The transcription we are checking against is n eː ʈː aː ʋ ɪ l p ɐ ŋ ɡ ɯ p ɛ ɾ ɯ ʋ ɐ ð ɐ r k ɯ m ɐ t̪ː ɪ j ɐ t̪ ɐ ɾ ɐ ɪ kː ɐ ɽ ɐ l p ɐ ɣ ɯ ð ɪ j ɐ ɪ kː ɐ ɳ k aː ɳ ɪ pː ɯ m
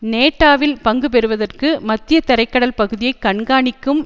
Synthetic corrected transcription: n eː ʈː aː ʋ ɪ l p ɐ ŋ ɡ ɯ p ɛ ɾ ɯ ʋ ɐ ð ɐ r k ɯ m ɐ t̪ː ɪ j ɐ t̪ ɐ ɾ ɐ ɪ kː ɐ ɽ ɐ l p ɐ ɣ ɯ ð ɪ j ɐ ɪ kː ɐ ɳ ɡ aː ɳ ɪ kː ɯ m